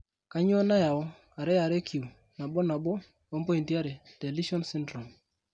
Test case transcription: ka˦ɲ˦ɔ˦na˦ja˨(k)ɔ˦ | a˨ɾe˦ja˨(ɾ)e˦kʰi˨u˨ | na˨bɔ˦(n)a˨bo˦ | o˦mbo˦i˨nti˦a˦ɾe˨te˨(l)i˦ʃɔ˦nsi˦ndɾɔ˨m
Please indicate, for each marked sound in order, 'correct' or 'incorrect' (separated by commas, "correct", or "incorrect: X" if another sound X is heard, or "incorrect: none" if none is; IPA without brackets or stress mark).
incorrect: none, correct, correct, correct